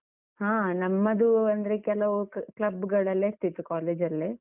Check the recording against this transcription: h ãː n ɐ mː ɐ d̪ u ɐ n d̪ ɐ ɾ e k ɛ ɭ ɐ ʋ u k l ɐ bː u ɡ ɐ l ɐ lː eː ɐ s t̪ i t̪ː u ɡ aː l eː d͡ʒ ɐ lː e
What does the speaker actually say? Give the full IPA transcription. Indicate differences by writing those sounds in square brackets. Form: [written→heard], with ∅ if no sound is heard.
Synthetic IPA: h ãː n ɐ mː ɐ d̪ u ɐ n d̪ ɐ ɾ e k ɛ [ɭ→l] ɐ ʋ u k l ɐ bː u ɡ ɐ [l→ɭ] ɐ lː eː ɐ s t̪ i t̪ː u [ɡ→k] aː l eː d͡ʒ ɐ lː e

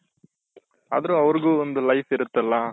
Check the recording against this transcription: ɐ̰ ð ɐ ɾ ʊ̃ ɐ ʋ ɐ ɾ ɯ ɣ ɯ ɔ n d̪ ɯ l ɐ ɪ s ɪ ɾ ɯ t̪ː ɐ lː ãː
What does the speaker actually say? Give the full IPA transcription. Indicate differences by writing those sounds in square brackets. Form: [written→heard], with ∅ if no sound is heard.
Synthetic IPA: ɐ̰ ð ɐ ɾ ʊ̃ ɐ ʋ ɐ ɾ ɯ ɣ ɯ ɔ n d̪ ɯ l ɐ ɪ [s→f] ɪ ɾ ɯ t̪ː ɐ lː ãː

